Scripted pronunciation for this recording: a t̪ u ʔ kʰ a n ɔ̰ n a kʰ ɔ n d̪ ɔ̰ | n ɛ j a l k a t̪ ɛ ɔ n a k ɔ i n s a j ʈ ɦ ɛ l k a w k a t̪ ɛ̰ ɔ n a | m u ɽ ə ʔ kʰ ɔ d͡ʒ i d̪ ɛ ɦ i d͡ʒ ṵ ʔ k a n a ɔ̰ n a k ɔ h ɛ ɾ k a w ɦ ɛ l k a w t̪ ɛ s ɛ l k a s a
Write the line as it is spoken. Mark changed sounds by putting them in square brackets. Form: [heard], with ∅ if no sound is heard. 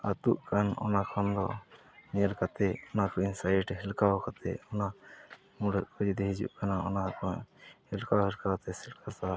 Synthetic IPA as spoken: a t̪ u ʔ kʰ a n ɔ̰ n a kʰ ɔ n d̪ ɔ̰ | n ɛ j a l k a t̪ ɛ ɔ n a k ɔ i n s a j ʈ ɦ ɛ l k a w k a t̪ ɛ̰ ɔ n a | m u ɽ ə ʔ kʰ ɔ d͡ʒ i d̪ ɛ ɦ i d͡ʒ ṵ ʔ k a n a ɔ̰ n a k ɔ h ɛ [l] k a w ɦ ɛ l k a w t̪ ɛ s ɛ l k a s a